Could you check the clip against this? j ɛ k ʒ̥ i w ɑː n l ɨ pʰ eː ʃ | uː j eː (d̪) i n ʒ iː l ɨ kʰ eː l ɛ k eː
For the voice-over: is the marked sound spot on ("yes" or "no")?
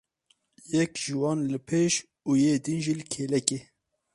yes